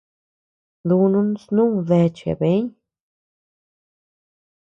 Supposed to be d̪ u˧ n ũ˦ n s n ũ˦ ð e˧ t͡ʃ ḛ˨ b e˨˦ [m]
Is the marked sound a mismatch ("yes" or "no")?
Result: yes